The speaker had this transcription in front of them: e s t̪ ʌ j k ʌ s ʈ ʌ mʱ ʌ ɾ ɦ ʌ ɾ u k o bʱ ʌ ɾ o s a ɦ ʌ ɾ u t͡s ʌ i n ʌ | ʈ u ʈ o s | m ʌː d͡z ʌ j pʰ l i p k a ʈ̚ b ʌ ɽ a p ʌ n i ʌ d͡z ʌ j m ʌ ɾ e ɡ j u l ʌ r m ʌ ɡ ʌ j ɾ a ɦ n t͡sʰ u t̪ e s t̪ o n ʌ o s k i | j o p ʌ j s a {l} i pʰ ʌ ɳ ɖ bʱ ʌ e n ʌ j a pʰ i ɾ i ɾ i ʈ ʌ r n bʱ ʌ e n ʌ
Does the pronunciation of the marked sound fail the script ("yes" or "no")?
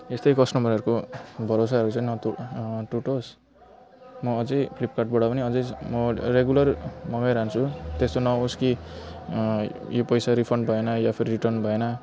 yes